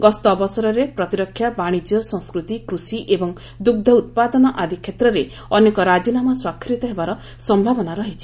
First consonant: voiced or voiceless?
voiced